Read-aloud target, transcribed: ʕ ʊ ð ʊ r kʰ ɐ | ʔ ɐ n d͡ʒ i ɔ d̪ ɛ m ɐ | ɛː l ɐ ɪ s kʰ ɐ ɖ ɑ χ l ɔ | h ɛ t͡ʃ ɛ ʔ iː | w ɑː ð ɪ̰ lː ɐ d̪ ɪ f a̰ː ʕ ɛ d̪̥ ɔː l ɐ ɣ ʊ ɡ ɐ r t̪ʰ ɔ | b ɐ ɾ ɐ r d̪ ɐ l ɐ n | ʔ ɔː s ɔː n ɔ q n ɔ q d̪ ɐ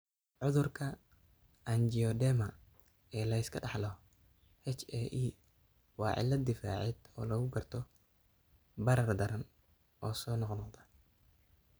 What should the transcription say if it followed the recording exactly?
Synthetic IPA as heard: ʕ ʊ ð ʊ r kʰ ɐ | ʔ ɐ n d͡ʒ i ɔ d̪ ɛ m ɐ | ɛː l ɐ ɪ s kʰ ɐ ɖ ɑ ħ l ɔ | h ɛ t͡ʃ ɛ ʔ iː | w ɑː ʕ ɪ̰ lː ɐ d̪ ɪ f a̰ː ʕ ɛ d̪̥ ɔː l ɐ ɣ ʊ ɡ ɐ r t̪ʰ ɔ | b ɐ ɾ ɐ r d̪ ɐ ɾ ɐ n | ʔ ɔː s ɔː n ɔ q n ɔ q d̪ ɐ